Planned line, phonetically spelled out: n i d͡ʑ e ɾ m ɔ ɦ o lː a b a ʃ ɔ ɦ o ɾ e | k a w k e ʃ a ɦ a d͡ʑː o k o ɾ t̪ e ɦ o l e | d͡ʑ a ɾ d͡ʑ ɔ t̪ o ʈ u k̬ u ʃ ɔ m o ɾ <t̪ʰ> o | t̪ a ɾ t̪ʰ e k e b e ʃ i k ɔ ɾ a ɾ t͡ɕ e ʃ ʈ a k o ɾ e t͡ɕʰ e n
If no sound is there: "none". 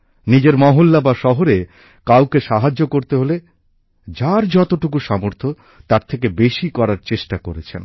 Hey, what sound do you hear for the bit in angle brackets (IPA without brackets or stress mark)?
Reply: t̪ʰ